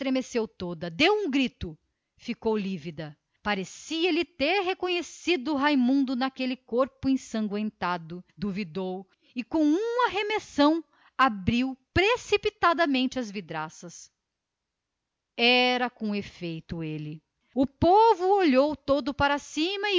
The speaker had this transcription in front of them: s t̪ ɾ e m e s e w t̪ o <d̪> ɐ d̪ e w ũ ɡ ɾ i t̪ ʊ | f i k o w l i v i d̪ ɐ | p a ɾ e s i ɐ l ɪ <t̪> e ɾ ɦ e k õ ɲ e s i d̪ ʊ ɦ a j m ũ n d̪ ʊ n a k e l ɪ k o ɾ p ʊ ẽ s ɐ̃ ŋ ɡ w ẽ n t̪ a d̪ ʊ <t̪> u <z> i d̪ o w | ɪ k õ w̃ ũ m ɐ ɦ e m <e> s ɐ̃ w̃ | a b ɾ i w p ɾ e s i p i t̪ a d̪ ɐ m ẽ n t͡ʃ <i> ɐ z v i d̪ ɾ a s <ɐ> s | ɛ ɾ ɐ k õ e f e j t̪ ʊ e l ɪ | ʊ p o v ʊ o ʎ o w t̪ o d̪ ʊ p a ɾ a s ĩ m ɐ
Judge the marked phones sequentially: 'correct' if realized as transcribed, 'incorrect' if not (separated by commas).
correct, correct, incorrect, incorrect, correct, incorrect, correct